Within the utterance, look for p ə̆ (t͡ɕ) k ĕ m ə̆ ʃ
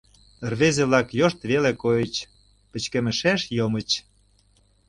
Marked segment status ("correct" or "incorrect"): correct